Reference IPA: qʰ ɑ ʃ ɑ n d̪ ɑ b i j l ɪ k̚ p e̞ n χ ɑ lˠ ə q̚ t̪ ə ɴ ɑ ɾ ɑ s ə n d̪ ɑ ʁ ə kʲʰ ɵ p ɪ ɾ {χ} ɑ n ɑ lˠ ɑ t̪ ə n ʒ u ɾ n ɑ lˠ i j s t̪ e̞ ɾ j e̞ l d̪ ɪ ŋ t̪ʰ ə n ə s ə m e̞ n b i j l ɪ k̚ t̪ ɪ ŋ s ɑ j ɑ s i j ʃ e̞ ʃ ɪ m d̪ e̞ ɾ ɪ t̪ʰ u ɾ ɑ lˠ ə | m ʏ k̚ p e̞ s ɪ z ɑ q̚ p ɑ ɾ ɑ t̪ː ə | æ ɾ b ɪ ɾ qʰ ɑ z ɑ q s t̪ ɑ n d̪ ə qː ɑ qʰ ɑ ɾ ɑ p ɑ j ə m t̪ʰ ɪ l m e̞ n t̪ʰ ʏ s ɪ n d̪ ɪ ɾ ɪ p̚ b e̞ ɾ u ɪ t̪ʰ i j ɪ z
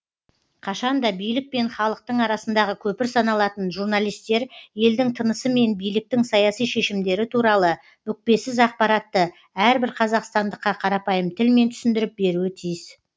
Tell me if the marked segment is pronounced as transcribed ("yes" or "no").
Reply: no